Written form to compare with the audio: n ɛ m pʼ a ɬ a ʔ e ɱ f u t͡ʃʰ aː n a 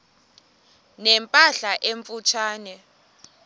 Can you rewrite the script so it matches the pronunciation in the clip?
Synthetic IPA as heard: n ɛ m pʼ a ɬ a ʔ e ɱ f u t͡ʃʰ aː n ɛ